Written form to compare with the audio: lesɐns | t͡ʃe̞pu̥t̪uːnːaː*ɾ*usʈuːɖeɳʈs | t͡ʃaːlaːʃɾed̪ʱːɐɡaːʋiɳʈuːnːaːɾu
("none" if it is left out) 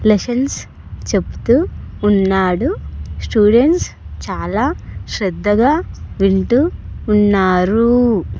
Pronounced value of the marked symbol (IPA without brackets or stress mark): ɽ